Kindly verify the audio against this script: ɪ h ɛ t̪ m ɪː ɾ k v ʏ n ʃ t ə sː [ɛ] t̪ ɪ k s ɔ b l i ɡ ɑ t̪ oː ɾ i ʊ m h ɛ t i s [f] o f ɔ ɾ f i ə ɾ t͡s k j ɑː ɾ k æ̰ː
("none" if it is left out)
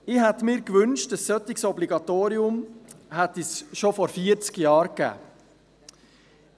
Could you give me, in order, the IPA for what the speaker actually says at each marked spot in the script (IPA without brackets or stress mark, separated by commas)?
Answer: œ, ʃ